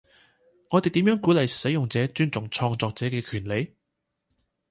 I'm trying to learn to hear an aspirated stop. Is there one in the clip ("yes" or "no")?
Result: yes